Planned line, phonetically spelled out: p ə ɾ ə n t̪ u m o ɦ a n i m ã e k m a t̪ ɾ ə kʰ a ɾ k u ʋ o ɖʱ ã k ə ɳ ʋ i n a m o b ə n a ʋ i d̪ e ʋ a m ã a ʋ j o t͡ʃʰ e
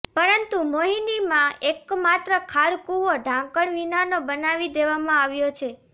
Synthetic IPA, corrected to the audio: p ə ɾ ə n t̪ u m o ɦ i n i m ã e k m a t̪ ɾ ə kʰ a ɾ k u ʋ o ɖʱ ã k ə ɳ ʋ i n a n o b ə n a ʋ i d̪ e ʋ a m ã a ʋ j o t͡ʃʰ e